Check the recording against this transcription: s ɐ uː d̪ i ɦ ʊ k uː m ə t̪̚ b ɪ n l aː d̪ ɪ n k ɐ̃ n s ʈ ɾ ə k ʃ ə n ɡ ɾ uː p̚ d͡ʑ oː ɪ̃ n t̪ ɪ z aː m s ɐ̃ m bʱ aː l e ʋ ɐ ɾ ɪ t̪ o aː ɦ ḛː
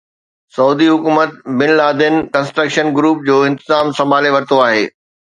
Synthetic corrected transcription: s ɐ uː d̪ i ɦ ʊ k uː m ə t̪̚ b ɪ n l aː d̪ ɪ n k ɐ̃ n s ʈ ɾ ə k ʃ ə n ɡ ɾ uː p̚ d͡ʑ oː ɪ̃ n t̪ ɪ z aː m s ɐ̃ m bʱ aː l e ʋ ɐ ɾ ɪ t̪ o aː ɦ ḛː